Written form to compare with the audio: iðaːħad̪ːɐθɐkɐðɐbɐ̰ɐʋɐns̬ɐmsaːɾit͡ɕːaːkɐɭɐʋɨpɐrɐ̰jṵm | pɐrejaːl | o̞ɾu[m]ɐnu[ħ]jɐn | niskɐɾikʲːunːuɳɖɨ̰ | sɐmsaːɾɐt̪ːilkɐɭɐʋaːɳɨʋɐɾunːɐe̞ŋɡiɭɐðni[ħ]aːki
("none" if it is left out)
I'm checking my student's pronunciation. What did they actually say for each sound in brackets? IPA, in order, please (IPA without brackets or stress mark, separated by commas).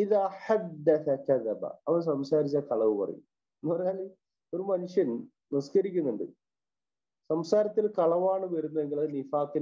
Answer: m, ʂ, f